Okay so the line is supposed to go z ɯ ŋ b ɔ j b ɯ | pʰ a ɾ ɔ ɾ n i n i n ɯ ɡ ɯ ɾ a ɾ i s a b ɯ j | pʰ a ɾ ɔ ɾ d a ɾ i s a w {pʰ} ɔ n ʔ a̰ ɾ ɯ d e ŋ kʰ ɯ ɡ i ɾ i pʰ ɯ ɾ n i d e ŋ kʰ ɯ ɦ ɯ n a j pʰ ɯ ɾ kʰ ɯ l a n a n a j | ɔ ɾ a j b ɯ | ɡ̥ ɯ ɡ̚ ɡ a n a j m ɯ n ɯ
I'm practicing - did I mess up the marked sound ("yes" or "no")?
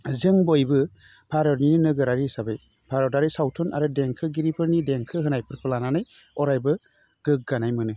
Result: yes